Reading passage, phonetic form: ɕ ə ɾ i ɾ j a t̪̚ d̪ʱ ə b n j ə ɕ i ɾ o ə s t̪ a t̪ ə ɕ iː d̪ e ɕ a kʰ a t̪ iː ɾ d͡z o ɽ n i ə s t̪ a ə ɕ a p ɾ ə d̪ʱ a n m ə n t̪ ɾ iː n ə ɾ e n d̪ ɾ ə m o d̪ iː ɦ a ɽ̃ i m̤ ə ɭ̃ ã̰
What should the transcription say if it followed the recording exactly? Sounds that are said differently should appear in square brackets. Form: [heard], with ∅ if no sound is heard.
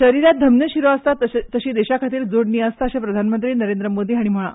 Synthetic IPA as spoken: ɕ ə ɾ i ɾ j a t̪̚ d̪ʱ ə [m] n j ə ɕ i ɾ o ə s t̪ a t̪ ə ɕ iː d̪ e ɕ a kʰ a t̪ iː ɾ d͡z o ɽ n i ə s t̪ a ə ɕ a p ɾ ə d̪ʱ a n m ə n t̪ ɾ iː n ə ɾ e n d̪ ɾ ə m o d̪ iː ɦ a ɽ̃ i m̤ ə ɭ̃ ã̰